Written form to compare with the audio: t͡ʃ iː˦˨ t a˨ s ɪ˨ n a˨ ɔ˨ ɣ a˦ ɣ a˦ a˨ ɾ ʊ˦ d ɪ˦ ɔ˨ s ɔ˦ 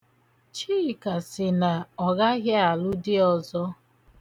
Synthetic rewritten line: t͡ʃ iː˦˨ k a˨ s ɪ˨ n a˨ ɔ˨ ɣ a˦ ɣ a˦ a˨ l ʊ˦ d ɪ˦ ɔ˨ z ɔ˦